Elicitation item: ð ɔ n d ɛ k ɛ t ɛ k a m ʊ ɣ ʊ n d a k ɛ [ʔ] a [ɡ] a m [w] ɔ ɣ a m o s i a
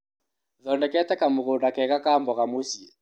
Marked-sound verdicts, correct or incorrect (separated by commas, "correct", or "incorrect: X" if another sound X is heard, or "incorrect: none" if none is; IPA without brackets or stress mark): incorrect: k, incorrect: k, incorrect: b